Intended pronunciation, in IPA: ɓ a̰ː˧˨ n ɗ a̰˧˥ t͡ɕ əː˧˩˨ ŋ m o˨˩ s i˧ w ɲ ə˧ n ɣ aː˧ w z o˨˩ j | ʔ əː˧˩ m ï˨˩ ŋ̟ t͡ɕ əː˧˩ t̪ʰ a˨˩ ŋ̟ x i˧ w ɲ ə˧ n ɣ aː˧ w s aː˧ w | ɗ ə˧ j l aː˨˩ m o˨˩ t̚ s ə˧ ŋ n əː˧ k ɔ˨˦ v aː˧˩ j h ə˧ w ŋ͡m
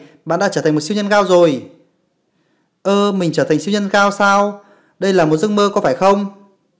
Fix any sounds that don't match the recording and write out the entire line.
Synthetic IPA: ɓ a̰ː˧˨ n ɗ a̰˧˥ t͡ɕ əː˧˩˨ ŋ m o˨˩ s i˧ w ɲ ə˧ n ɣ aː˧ w z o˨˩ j | ʔ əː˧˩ m ï˨˩ ŋ̟ t͡ɕ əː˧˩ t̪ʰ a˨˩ ŋ̟ s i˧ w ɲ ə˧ n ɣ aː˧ w s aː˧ w | ɗ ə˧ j l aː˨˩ m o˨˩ t̚ z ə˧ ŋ m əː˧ k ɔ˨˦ f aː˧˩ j x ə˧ w ŋ͡m